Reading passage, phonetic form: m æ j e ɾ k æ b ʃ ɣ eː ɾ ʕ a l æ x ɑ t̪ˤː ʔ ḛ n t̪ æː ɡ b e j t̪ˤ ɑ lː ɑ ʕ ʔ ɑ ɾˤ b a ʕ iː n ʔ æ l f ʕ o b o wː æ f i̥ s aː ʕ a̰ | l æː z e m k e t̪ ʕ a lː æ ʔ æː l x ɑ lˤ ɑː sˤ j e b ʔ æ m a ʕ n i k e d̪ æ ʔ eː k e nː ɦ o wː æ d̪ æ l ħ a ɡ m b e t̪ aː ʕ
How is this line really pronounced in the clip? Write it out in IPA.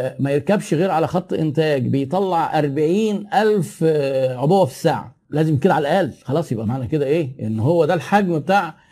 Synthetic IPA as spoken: m æ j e ɾ k æ b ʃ ɣ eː ɾ ʕ a l æ x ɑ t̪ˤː ʔ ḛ n t̪ æː ɡ b e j t̪ˤ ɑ lː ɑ ʕ ʔ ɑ ɾˤ b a ʕ iː n ʔ æ l f ʕ o b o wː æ f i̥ s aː ʕ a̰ | l æː z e m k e d̪ ʕ a l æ ʔ æː l x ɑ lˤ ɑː sˤ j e b ʔ æ m a ʕ n æ k e d̪ æ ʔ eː ʔ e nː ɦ o wː æ d̪ æ l ħ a ɡ m b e t̪ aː ʕ